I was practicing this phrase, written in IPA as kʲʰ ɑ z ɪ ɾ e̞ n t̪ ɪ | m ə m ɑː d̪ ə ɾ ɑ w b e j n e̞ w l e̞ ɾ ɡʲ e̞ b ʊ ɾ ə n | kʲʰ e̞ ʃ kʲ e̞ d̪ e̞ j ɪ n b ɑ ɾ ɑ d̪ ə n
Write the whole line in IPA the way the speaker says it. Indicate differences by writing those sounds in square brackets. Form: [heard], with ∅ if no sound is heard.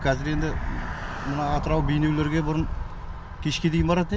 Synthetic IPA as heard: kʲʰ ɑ z ɪ ɾ e̞ n [d̪] ɪ | m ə [n] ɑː [t̪] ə ɾ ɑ w b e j n e̞ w l e̞ ɾ ɡʲ e̞ b ʊ ɾ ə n | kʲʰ e̞ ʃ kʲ e̞ d̪ e̞ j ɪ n b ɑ ɾ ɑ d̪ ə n